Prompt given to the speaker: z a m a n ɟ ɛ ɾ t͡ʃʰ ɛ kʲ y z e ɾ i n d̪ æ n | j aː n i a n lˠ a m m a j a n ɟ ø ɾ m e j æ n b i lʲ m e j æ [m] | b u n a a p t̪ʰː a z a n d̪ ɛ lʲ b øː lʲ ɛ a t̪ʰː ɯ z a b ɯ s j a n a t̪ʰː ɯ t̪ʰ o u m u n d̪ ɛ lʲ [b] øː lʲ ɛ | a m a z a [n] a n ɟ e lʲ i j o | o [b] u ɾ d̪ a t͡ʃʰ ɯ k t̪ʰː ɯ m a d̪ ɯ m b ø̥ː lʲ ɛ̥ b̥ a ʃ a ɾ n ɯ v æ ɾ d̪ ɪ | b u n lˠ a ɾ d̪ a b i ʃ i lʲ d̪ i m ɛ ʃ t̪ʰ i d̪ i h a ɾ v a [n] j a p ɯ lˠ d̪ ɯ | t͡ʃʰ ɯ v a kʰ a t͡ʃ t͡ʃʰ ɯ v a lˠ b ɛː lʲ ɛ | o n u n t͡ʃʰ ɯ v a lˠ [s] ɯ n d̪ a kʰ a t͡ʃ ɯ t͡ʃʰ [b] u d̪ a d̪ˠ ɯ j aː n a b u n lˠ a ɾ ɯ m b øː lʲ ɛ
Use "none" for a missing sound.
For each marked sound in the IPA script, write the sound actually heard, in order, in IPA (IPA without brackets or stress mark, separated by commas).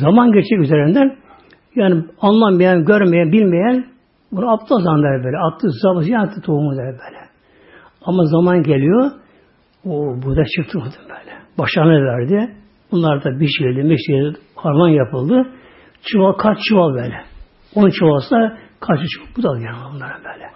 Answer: n, b, m, b, n, s, b